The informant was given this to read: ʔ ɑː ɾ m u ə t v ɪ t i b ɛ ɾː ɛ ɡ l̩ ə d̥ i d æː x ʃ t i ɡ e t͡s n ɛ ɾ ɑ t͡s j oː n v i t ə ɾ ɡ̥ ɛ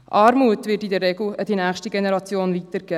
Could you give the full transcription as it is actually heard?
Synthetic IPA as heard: ʔ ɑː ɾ m u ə t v ɪ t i d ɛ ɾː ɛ ɡ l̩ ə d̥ i n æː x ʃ t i ɡ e n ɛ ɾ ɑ t͡s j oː n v i t ə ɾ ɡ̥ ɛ